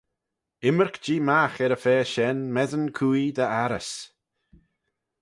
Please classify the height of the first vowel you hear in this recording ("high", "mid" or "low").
high